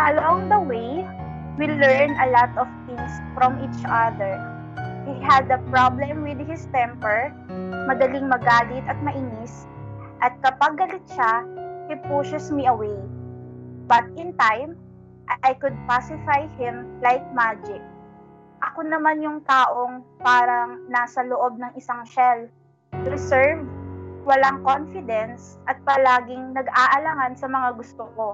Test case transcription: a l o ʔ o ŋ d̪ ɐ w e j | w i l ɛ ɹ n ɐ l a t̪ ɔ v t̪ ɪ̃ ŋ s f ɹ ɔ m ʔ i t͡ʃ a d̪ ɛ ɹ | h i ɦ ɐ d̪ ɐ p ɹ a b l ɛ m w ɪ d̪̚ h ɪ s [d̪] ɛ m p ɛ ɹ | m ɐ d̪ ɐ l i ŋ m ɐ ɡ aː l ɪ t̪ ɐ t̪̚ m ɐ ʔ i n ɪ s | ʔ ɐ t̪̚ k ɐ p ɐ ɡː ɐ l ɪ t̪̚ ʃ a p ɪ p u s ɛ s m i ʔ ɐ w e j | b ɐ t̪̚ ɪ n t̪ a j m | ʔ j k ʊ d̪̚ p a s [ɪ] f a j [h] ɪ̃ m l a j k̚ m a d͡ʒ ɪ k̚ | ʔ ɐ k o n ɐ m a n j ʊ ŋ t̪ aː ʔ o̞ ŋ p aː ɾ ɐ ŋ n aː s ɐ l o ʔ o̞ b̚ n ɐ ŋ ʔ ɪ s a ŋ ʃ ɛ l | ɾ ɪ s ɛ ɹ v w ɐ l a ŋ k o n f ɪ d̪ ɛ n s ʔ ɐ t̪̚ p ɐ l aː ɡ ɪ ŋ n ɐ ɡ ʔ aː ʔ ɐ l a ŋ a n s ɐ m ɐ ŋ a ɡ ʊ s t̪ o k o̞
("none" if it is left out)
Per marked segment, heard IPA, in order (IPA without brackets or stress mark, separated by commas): t̪, ɪ, h